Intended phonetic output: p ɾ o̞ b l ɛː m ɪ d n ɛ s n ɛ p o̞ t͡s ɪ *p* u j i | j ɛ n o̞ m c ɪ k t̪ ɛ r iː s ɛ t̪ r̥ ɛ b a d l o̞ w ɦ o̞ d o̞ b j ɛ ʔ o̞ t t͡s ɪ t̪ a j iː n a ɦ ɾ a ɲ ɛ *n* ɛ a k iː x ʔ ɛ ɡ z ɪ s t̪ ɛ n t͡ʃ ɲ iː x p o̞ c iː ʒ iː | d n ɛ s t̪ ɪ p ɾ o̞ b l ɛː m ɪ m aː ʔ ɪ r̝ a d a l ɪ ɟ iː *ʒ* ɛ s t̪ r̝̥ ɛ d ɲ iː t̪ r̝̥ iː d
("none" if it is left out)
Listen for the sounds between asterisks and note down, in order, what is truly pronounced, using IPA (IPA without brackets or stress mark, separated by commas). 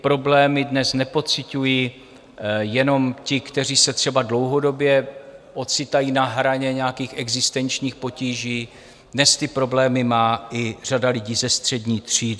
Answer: c, ɲ, z